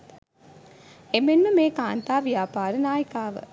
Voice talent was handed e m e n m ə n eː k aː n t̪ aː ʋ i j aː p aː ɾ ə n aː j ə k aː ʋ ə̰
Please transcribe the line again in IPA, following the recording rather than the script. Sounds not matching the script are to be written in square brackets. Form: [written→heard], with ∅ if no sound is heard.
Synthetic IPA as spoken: e m e n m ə [n→m] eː k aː n t̪ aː ʋ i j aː p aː ɾ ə n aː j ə k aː ʋ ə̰

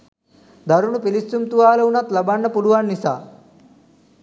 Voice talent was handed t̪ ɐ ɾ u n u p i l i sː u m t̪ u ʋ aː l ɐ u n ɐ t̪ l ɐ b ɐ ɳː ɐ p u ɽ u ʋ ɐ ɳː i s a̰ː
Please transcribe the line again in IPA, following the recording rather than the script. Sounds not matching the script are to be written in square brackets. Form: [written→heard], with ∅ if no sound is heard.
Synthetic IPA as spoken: [t̪→d̪] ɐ ɾ u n u p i l i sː u m t̪ u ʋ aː l ɐ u n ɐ t̪ l ɐ b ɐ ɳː ɐ p u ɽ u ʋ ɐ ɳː i s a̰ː

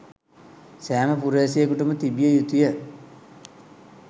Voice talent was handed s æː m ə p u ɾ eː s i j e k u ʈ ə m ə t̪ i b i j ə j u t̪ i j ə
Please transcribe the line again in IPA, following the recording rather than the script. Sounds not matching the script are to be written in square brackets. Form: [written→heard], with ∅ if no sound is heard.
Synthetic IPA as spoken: s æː m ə p u ɾ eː s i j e k u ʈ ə m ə t̪ i b i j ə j u t̪ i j ə

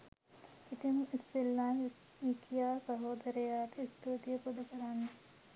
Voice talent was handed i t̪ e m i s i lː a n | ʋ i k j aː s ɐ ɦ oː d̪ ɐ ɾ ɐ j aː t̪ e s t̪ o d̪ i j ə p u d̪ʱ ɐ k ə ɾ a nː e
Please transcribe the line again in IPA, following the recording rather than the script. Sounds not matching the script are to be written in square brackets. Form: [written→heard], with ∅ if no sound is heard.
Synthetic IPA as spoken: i t̪ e m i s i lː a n | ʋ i k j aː s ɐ ɦ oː d̪ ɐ ɾ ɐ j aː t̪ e s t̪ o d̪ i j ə p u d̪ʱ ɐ k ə ɾ a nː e

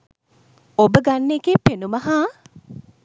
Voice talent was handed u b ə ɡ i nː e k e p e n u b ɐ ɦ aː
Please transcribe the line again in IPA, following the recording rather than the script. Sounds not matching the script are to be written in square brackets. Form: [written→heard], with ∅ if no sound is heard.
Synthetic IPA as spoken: [u→o] b ə ɡ [i→a] nː e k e p e n u [b→m] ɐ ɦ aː

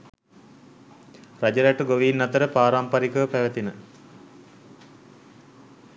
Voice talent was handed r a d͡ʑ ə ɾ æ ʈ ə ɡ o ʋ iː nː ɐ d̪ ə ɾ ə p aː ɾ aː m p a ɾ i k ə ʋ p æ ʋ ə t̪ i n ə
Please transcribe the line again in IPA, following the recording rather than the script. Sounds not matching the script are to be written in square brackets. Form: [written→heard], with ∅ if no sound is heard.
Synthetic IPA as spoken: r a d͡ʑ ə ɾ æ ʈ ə ɡ o ʋ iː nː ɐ [d̪→t̪] ə ɾ ə p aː ɾ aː m p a ɾ i k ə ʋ p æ ʋ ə t̪ i n ə

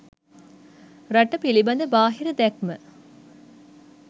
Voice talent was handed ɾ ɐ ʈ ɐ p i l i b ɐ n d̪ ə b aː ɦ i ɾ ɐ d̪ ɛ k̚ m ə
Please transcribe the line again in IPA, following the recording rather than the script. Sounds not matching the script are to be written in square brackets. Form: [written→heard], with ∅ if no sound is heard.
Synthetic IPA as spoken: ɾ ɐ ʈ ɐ p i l i b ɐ n d̪ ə b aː ɦ i ɾ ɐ d̪ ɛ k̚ m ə

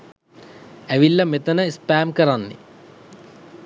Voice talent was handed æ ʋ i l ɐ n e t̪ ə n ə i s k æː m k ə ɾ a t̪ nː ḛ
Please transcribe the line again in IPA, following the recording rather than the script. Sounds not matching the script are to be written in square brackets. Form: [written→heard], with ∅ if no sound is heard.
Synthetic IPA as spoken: æ ʋ i [l→lː] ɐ [n→m] e t̪ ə n ə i s [k→p] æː m k ə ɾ a [t̪→∅] nː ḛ

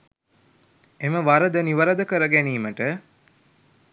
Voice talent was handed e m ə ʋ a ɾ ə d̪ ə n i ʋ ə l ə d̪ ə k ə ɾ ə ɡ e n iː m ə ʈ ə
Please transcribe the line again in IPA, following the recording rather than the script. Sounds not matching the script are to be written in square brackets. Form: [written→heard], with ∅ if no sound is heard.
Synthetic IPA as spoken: e m ə ʋ a ɾ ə d̪ ə n i ʋ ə [l→ɾ] ə d̪ ə k ə ɾ ə ɡ [e→æ] n iː m ə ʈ ə

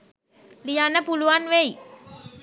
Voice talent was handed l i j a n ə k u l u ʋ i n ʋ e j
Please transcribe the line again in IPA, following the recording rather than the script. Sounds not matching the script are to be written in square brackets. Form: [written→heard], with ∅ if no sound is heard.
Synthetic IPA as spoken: l i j a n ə [k→p] u l u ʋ [i→a] n ʋ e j

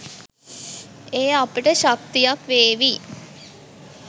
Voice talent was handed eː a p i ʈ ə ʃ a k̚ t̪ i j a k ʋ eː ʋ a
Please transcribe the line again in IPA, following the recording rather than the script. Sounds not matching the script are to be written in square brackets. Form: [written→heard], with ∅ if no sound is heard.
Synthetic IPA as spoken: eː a p i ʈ ə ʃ a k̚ t̪ i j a k ʋ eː ʋ [a→i]

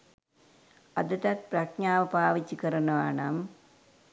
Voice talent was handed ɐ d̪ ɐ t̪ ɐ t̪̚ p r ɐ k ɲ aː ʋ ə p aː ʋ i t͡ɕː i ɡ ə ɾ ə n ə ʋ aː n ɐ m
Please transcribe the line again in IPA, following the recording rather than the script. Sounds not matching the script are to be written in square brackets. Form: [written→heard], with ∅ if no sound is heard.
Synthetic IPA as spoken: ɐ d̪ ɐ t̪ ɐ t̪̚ p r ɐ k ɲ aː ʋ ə p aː ʋ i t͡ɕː i [ɡ→k] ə ɾ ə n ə ʋ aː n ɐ m

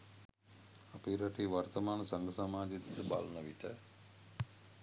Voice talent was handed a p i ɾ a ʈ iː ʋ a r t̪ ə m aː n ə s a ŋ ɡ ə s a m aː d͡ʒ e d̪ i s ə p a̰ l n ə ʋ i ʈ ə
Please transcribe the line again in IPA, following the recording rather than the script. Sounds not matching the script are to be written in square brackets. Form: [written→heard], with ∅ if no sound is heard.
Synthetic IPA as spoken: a p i ɾ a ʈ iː ʋ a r t̪ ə m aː n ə s a ŋ ɡ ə s a m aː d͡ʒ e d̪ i s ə [p→b] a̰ l n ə ʋ i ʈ ə

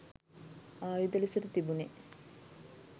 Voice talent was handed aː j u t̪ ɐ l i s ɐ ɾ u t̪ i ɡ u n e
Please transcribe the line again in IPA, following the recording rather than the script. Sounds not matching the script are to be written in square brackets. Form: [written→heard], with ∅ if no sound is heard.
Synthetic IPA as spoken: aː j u [t̪→d̪] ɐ l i s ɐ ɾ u t̪ i [ɡ→b] u n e

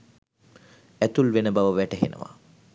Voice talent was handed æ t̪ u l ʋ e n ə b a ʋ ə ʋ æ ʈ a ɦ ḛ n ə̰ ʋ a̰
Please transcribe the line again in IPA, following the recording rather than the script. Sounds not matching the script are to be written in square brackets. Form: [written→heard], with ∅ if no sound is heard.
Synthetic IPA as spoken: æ t̪ u l ʋ e n ə b a ʋ ə ʋ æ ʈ [a→ə] ɦ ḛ n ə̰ ʋ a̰

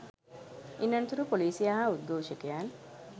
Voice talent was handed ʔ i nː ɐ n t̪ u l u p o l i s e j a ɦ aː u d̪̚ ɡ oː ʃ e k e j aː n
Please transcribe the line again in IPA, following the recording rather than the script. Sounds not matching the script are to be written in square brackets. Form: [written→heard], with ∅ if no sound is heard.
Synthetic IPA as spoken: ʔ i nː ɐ n t̪ u [l→ɾ] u p o l [i→iː] s [e→i] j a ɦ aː u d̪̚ ɡ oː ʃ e k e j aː n

